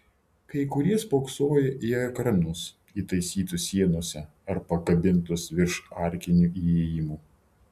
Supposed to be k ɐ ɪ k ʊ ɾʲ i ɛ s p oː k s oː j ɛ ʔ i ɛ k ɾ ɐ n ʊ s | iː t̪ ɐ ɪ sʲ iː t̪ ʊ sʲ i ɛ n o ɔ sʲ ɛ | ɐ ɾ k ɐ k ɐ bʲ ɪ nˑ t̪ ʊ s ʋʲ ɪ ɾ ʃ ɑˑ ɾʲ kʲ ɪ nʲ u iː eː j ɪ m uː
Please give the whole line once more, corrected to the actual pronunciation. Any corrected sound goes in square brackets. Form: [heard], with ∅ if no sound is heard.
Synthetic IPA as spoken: k ɐ ɪ k ʊ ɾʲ i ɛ s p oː k s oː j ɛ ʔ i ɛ k ɾ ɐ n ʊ s | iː t̪ ɐ ɪ sʲ iː t̪ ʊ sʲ i ɛ n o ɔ sʲ ɛ | ɐ ɾ [p] ɐ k ɐ bʲ ɪ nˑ t̪ ʊ s ʋʲ ɪ ɾ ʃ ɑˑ ɾʲ kʲ ɪ nʲ u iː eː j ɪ m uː